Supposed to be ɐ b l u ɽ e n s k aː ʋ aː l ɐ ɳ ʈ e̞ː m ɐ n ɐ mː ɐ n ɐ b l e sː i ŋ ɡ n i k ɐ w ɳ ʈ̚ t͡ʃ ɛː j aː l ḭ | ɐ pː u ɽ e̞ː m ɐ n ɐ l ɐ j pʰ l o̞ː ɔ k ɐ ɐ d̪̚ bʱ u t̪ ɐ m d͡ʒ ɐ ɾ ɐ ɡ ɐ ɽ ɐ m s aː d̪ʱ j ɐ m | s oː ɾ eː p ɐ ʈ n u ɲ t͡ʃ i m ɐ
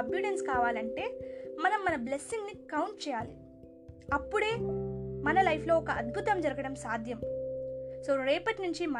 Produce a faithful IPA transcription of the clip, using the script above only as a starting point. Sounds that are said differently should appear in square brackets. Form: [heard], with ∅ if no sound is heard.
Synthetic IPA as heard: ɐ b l u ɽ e n s k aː ʋ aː l ɐ ɳ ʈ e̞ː m ɐ n ɐ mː ɐ n ɐ b l e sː i ŋ ɡ n i k ɐ w ɳ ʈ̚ t͡ʃ ɛː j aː l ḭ | ɐ pː u ɽ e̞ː m ɐ n ɐ l ɐ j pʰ l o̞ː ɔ k ɐ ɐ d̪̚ bʱ u t̪ ɐ m d͡ʒ ɐ ɾ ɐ ɡ ɐ ɽ ɐ m s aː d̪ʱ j ɐ m | s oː ɾ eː p ɐ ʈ n u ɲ t͡ʃ i m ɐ